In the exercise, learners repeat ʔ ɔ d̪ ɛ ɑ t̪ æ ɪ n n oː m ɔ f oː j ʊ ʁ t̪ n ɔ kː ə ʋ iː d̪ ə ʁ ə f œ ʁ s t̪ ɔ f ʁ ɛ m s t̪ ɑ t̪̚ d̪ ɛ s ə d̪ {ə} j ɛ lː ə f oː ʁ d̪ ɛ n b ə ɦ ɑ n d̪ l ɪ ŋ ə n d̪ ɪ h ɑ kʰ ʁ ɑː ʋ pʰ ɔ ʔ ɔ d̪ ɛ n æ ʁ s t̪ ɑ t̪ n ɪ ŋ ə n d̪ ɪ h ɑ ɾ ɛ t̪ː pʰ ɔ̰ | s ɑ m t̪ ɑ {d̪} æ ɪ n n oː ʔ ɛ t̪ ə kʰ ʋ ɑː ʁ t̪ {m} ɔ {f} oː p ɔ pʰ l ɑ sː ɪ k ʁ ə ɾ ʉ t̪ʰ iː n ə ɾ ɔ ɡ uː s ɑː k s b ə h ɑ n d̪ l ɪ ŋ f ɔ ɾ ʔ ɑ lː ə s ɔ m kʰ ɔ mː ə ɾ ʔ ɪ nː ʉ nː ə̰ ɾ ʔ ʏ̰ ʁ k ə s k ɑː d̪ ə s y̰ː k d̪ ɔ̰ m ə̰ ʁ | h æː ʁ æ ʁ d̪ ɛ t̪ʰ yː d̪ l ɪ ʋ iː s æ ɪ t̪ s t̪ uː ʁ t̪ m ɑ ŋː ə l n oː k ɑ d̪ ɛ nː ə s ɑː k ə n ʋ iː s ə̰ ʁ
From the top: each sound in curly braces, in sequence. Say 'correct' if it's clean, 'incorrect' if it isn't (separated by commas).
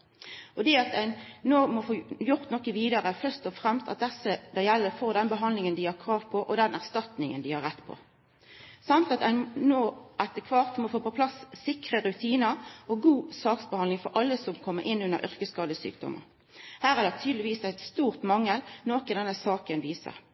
incorrect, incorrect, correct, correct